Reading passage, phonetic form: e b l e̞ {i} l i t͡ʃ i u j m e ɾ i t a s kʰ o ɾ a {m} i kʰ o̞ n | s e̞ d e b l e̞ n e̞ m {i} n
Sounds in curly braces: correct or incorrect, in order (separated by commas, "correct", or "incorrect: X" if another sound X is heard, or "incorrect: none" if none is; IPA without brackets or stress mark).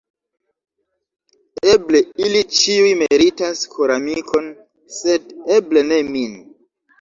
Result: correct, correct, correct